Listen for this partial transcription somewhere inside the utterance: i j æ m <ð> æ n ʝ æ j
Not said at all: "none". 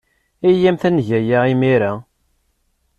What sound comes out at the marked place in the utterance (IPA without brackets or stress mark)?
θ